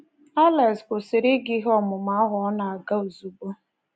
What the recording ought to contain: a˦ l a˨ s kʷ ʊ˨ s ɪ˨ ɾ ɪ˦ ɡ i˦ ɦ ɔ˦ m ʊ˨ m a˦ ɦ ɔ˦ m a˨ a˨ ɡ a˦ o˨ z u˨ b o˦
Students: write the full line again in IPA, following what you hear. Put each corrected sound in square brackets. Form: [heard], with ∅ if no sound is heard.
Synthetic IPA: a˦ l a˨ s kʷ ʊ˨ s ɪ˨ ɾ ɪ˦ ɡ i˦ ɦ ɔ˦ m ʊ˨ m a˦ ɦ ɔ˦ [n] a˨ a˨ ɡ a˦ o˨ z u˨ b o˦